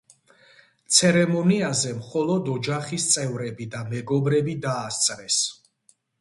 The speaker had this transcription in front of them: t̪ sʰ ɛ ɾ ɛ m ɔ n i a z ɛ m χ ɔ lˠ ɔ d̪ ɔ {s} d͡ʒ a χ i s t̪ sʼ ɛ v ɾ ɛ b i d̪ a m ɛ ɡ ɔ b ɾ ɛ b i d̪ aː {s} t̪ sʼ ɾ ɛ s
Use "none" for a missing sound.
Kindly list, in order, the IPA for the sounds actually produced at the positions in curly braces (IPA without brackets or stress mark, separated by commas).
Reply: none, s